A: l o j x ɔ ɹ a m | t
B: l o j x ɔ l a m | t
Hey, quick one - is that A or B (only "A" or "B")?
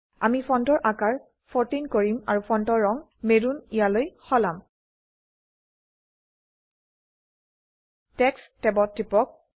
B